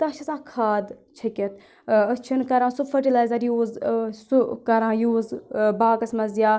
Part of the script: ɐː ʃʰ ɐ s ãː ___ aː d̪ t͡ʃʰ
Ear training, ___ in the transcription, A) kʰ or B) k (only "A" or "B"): A